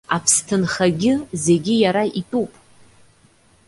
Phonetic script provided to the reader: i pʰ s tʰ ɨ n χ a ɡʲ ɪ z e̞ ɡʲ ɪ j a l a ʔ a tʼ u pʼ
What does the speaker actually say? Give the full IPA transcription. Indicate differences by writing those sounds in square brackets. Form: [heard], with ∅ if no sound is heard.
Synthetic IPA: [a] pʰ s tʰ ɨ n χ a ɡʲ ɪ z e̞ ɡʲ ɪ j a [ɾ] a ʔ [i] tʼ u pʼ